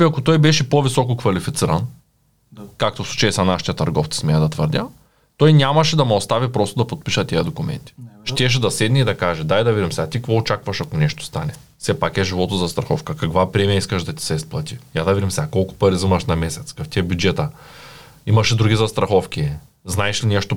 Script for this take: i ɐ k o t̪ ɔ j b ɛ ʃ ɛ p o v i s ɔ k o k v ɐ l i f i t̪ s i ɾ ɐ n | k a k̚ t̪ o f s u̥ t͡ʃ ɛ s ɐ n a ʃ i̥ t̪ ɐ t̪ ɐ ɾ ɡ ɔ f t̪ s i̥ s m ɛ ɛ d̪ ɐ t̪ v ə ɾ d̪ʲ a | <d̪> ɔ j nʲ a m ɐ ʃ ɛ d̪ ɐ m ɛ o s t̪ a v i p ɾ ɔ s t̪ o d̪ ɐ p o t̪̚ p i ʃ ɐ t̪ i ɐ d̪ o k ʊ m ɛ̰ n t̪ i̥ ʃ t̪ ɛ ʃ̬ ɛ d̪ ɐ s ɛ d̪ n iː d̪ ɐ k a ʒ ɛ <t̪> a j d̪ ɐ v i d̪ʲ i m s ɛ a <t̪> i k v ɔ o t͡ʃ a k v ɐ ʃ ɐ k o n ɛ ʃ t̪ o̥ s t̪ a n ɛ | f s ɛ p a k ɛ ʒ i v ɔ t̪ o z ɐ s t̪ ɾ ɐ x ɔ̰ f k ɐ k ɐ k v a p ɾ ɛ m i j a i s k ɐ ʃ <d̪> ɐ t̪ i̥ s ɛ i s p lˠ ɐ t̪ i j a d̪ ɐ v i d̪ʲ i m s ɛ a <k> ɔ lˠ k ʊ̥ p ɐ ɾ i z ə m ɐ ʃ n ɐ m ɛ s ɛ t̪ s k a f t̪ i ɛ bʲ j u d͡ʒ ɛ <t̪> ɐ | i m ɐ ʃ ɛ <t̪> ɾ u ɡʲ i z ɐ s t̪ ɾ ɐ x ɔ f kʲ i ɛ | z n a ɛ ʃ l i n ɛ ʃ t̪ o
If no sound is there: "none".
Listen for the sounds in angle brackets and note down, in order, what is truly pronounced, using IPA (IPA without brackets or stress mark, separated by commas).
t̪, d̪, t̪, d̪, k, t̪, d̪